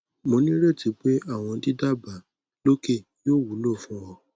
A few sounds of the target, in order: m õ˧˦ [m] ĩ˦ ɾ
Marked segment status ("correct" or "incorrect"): incorrect